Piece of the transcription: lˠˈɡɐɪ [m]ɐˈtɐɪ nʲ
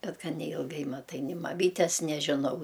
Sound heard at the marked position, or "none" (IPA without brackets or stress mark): m